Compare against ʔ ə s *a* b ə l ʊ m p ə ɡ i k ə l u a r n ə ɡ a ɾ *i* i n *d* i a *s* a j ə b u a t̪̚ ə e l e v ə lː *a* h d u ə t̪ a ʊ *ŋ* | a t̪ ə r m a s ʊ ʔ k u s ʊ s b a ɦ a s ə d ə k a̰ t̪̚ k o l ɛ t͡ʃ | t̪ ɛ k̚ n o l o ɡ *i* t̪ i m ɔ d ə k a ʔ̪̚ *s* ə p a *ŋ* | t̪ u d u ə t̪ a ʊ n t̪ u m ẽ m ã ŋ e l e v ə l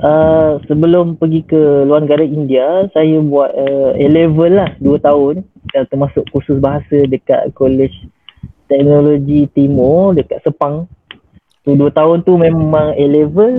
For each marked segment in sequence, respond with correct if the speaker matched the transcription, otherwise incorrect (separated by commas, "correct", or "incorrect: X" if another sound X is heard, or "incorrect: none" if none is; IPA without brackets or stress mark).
incorrect: ə, incorrect: a, correct, correct, correct, incorrect: n, correct, correct, correct